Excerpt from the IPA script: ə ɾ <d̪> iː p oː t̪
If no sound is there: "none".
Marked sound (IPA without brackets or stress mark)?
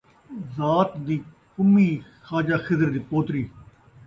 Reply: d̪